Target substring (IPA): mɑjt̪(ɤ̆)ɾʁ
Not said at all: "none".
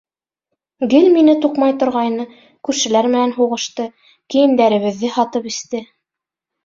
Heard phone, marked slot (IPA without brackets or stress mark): ŏ